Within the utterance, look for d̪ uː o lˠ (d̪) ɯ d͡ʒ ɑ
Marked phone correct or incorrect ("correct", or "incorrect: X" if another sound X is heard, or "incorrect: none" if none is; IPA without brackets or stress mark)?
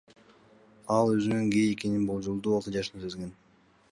incorrect: t̪